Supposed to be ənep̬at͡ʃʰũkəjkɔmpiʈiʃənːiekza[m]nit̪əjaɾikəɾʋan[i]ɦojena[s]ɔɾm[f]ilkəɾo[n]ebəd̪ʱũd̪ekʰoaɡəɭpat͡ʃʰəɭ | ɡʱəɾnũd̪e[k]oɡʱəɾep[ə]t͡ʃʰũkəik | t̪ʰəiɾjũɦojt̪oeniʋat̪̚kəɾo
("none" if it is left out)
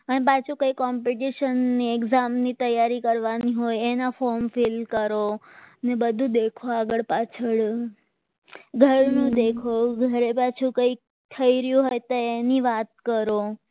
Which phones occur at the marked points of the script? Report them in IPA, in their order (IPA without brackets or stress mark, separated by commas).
m, i, f, f, n, kʰ, a